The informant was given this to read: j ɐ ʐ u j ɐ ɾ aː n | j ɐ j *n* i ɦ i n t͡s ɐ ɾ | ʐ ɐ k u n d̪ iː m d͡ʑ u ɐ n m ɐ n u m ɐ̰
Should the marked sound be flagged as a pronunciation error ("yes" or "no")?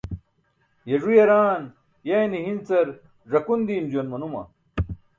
no